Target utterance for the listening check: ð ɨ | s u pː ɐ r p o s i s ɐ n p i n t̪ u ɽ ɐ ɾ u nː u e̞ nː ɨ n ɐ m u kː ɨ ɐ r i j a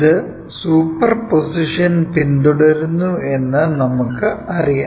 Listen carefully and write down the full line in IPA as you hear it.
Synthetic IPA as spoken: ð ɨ | s uː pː ɐ r p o s i ʂ ɐ n p i n d̪ u ɽ ɐ ɾ u nː u e̞ nː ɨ n ɐ m u kː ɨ ɐ r i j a